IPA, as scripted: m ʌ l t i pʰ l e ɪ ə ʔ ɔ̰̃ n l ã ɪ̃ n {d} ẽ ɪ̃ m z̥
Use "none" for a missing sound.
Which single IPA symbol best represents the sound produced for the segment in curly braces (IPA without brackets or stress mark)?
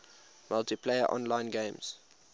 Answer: ɡ